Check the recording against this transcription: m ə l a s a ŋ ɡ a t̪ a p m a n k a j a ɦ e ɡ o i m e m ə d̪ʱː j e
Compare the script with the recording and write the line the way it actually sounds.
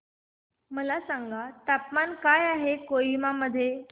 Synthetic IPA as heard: m ə l a s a ŋ ɡ a t̪ a p m a n k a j a ɦ e k o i m a m ə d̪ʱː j e

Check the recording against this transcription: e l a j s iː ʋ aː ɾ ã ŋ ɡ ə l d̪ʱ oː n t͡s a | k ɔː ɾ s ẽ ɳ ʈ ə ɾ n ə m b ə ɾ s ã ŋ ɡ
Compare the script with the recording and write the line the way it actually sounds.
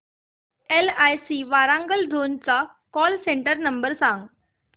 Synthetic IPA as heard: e l a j s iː ʋ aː ɾ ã ŋ ɡ ə l d̪ʱ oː n t͡s a | k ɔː l s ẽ ɳ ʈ ə ɾ n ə m b ə ɾ s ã ŋ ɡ

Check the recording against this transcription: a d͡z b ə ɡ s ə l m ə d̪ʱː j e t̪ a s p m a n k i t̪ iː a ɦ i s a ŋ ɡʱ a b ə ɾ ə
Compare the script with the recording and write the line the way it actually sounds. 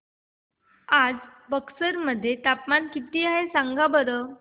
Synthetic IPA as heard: a d͡z b ə k s ə ɾ m ə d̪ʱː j e t̪ a p m a n k i t̪ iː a ɦ e s a ŋ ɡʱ a b ə ɾ ə

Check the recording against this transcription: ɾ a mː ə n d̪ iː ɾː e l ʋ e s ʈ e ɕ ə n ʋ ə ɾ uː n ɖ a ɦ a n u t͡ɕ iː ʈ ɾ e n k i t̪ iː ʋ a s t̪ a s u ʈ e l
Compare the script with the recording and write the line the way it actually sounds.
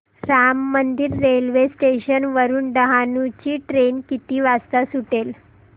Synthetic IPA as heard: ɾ a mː ə n d̪ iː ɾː e l ʋ e s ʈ e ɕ ə n ʋ ə ɾ uː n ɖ ə ɦ a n u t͡ɕ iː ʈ ɾ e n k i t̪ iː ʋ a s t̪ a s u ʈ e l

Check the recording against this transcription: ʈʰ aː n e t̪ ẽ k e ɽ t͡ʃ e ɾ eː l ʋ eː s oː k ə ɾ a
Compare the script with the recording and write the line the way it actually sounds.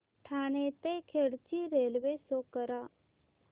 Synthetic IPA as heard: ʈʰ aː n e t̪ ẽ kʰ e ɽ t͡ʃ i ɾ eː l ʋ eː s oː k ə ɾ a

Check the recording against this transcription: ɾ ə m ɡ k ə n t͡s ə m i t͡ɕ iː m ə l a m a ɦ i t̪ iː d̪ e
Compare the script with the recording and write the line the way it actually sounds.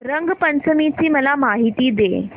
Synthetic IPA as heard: ɾ ə ŋ ɡ p ə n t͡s ə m i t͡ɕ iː m ə l a m a ɦ i t̪ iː d̪ e

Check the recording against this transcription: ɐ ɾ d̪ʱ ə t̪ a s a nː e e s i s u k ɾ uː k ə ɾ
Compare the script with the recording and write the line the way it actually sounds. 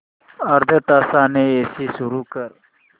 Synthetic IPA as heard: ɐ ɾ d̪ʱ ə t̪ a s a n e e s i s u ɾ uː k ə ɾ

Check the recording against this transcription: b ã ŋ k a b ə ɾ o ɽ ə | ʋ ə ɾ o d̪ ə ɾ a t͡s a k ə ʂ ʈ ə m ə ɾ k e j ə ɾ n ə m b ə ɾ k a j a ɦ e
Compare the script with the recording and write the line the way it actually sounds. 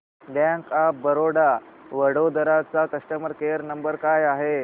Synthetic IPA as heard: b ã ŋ k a b ə ɾ o ɽ a | ʋ ə ɽ o d̪ ə ɾ a t͡s a k ə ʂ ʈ ə m ə ɾ k e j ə ɾ n ə m b ə ɾ k a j a ɦ e

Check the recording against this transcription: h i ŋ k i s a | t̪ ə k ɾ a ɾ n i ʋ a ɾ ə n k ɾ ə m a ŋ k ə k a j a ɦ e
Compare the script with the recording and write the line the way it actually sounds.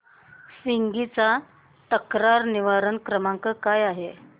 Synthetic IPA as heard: s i ŋ ɡ i t͡s a | t̪ ə k ɾ a ɾ n i ʋ a ɾ ə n k ɾ ə m a ŋ k ə k a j a ɦ e

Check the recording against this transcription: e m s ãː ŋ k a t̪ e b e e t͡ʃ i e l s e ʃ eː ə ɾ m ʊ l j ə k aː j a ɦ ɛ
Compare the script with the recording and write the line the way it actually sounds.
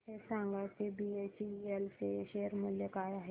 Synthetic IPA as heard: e s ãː ŋ ɡ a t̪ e b i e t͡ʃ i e l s e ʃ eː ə ɾ m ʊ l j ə k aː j a ɦ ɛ

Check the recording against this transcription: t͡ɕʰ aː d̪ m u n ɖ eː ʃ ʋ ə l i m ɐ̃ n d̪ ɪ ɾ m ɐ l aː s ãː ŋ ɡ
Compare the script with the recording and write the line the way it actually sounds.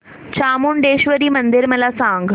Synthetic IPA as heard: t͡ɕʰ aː m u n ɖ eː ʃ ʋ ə ɾ i m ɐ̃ n d̪ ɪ ɾ m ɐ l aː s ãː ŋ ɡ

